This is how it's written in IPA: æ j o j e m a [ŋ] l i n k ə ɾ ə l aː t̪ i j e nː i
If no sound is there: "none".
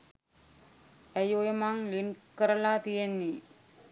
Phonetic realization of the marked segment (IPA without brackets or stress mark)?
ŋ